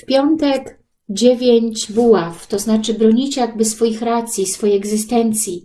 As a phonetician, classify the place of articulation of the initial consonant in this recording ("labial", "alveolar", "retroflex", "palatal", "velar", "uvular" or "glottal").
labial